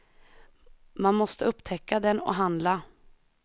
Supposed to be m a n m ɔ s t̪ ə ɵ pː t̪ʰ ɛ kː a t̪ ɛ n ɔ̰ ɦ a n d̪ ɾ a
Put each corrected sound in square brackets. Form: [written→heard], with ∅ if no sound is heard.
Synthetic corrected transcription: m a n m ɔ s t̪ ə ɵ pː t̪ʰ ɛ kː a [t̪→d̪] ɛ n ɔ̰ ɦ a n d̪ [ɾ→l] a